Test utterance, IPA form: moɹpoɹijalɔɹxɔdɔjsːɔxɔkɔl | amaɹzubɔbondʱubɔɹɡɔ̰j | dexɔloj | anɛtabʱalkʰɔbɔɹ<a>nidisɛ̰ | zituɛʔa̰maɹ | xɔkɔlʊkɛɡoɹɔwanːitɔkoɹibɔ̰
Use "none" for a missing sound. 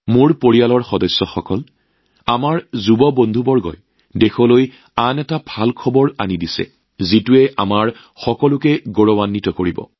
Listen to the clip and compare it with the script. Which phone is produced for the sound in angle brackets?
a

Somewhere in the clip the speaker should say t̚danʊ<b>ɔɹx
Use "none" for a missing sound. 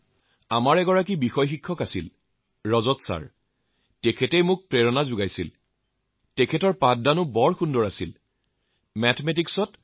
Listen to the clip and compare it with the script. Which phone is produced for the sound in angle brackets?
b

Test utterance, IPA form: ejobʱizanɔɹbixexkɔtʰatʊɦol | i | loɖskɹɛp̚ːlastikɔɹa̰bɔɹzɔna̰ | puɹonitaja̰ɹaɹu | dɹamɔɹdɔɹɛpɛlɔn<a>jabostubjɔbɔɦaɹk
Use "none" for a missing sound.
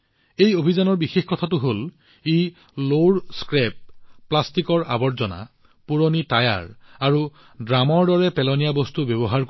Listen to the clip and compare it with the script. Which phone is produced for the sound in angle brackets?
i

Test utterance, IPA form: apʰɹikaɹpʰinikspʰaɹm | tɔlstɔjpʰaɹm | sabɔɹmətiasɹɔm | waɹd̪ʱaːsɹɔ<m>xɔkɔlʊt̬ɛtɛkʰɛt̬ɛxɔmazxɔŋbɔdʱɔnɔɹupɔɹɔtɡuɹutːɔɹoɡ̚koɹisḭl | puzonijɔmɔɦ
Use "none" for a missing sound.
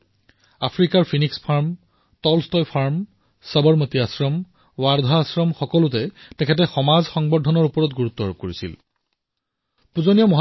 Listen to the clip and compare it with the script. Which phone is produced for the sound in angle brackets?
m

